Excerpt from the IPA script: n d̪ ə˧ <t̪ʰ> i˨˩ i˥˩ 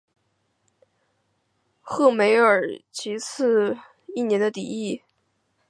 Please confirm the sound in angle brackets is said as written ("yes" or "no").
no